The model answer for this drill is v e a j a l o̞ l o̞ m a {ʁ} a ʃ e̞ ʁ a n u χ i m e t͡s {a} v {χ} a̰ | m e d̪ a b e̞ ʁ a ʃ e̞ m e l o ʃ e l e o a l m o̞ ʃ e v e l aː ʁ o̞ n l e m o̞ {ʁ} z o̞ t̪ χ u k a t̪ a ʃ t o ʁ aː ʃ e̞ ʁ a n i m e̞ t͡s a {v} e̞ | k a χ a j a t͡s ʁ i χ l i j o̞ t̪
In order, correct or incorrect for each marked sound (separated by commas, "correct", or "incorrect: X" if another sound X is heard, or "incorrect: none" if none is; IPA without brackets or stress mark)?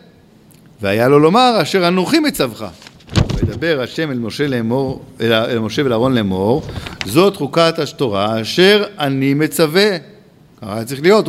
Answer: correct, correct, correct, correct, correct